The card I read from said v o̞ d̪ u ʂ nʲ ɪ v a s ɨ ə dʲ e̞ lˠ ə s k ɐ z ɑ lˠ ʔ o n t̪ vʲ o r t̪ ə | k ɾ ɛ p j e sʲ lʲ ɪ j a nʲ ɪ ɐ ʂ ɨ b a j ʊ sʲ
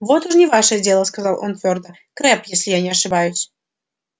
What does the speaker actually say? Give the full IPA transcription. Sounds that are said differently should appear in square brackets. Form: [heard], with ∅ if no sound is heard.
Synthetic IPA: v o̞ [t̪] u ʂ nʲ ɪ v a [ʂ] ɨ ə dʲ e̞ lˠ ə s k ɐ z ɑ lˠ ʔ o n t̪ vʲ o r [d̪] ə | k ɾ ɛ p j e sʲ lʲ ɪ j a nʲ ɪ ɐ ʂ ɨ b a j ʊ sʲ